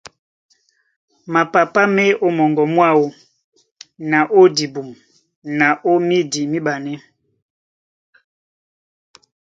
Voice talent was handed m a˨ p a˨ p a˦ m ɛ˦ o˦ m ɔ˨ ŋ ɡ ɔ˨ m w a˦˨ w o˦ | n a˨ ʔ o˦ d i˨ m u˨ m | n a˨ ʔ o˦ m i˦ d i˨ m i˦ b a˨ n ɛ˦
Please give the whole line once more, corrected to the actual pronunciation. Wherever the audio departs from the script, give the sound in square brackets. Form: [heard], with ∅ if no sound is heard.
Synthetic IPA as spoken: m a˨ p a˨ p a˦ m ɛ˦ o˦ m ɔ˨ ŋ ɡ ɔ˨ m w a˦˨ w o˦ | n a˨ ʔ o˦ d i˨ [b] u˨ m | n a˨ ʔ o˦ m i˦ d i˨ m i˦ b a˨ n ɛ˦